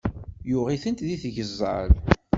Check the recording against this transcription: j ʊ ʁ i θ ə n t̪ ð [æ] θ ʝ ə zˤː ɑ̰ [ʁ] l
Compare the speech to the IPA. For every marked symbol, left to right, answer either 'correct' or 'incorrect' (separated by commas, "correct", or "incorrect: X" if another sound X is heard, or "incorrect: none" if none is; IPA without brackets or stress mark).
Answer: incorrect: i, incorrect: none